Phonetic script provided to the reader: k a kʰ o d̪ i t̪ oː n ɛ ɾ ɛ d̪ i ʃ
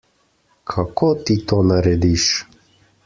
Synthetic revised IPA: kʰ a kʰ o t̪ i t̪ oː n a ɾ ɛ d̪ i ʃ